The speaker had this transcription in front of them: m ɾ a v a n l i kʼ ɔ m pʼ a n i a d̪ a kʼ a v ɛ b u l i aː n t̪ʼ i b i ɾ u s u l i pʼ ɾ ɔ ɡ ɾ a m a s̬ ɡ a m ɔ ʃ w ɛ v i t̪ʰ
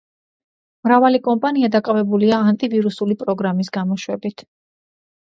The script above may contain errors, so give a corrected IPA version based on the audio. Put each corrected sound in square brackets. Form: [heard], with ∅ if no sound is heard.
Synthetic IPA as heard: m ɾ a v a [∅] l i kʼ ɔ m pʼ a n i a d̪ a kʼ a v ɛ b u l i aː n t̪ʼ i [v] i ɾ u s u l i pʼ ɾ ɔ ɡ ɾ a m [i] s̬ ɡ a m ɔ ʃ w ɛ [b] i t̪ʰ